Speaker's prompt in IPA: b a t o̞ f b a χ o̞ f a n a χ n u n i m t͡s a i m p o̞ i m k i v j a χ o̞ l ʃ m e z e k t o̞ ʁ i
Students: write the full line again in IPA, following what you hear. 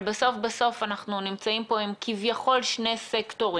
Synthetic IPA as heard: b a s o̞ f b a s o̞ f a n a χ n u n i m t͡s a i m p o̞ i m k i v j a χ o̞ l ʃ n e s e k t o̞ ʁ i